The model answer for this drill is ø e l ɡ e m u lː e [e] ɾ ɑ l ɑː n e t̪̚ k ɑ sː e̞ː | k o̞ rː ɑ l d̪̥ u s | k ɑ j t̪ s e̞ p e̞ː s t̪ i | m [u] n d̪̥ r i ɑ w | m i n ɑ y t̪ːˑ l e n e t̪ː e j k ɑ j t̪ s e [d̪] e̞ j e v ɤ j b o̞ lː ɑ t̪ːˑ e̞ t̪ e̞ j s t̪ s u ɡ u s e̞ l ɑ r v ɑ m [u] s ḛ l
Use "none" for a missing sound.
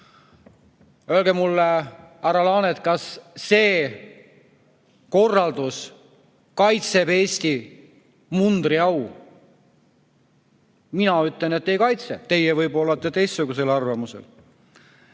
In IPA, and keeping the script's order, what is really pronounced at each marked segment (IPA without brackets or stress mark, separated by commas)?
æ, u, t̪, u